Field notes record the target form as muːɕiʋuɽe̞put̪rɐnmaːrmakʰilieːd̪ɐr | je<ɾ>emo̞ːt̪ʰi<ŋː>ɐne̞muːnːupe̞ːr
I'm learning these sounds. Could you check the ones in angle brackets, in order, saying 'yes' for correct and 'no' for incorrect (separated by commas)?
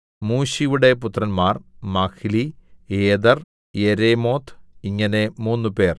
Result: yes, yes